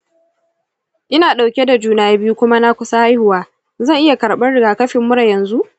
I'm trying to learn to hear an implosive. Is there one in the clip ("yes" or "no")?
yes